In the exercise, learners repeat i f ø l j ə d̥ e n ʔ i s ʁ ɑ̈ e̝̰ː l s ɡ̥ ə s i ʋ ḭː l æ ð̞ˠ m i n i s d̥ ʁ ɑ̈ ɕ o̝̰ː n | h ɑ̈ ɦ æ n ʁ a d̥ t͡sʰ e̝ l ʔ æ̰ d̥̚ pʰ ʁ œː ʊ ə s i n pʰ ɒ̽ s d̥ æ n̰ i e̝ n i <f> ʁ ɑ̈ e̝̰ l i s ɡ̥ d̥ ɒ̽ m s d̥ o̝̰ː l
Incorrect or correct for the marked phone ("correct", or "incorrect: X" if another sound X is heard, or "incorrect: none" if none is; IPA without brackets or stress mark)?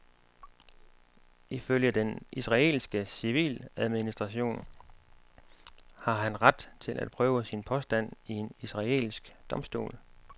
incorrect: s